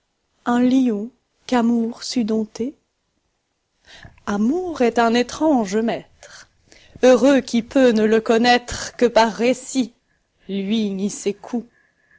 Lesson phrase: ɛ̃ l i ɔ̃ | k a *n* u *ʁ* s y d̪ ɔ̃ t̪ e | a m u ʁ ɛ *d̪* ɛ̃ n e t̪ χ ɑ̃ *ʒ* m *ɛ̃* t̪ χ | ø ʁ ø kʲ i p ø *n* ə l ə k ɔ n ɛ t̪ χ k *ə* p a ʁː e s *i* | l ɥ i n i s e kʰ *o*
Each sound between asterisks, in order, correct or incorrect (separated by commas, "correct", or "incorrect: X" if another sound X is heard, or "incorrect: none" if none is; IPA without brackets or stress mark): incorrect: m, correct, incorrect: t̪, correct, incorrect: ɛ, correct, correct, correct, incorrect: u